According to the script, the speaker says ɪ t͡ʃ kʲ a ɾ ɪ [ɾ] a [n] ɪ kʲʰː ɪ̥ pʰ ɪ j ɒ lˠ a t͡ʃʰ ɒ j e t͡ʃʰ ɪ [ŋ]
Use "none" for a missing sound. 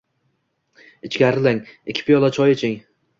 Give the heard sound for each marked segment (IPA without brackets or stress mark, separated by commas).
l, ŋ, ŋ